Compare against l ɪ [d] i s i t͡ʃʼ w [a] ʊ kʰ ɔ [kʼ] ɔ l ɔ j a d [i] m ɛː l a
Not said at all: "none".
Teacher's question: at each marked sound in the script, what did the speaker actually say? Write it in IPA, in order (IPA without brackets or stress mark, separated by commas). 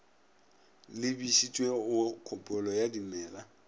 b, e, pʼ, i